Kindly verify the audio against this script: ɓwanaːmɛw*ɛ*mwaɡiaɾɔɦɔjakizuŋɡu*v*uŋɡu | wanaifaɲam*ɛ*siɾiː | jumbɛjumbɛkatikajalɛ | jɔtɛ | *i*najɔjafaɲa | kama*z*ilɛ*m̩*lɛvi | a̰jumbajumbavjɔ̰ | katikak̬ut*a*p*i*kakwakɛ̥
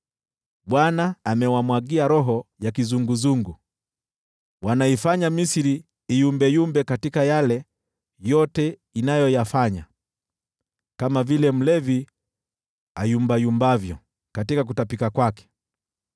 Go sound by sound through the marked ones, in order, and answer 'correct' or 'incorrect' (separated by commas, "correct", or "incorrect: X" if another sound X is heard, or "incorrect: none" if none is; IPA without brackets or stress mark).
incorrect: a, incorrect: z, incorrect: i, correct, incorrect: v, correct, correct, correct